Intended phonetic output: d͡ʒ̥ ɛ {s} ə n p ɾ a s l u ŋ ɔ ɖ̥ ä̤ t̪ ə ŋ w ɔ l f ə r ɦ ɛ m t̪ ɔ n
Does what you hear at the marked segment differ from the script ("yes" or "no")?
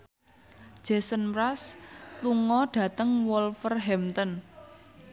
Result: no